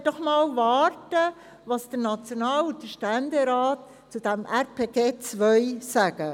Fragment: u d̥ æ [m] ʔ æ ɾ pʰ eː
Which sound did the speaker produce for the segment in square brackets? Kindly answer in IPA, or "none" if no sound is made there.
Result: m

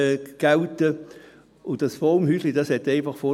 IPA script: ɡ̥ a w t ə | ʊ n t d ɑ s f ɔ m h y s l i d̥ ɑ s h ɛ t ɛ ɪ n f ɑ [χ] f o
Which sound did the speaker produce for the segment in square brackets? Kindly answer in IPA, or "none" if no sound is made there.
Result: χ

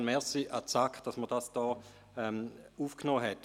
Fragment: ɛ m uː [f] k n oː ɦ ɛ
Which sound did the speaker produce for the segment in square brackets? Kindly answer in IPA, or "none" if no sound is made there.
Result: f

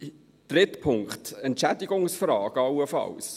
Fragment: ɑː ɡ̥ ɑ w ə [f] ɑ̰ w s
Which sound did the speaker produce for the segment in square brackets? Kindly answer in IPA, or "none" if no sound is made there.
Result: f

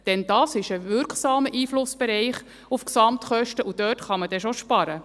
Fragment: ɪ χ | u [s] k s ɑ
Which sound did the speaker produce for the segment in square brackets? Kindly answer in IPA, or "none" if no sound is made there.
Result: f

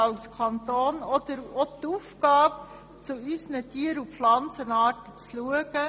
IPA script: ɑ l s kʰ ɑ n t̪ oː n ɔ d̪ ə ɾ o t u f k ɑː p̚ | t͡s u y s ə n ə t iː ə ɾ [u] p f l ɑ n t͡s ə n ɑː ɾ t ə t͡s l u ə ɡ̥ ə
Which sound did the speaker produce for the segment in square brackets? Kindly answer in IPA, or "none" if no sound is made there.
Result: u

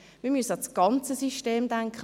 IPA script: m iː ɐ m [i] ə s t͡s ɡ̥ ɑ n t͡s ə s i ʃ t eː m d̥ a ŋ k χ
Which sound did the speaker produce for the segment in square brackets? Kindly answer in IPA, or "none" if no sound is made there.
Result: y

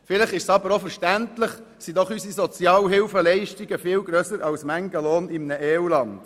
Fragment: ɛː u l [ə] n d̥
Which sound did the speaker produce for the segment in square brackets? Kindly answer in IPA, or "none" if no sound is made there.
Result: ɑ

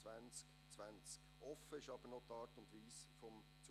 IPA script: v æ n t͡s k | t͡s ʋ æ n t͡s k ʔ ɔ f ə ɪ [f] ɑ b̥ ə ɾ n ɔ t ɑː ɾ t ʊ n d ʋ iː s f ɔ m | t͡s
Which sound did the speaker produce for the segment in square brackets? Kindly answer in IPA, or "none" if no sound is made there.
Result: ʃ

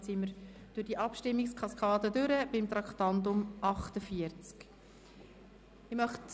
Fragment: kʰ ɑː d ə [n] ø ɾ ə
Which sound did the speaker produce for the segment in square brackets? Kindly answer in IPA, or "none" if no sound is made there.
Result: d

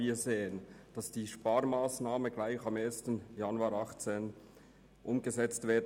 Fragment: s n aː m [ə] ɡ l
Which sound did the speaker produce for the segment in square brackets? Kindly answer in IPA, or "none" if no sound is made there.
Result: ə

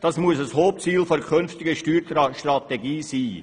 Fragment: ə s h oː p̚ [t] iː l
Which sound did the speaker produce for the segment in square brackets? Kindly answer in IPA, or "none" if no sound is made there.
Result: t͡s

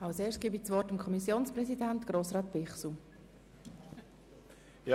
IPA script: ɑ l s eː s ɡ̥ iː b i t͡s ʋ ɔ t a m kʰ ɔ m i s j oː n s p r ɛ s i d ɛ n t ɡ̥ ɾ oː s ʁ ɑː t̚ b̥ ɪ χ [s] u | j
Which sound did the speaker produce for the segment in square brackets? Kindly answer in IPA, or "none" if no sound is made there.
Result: s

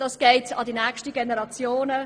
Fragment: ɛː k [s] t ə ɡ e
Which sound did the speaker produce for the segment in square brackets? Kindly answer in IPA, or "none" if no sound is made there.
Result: ʃ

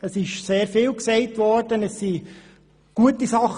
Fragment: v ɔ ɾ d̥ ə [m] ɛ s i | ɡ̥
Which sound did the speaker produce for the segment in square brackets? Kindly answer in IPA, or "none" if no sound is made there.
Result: n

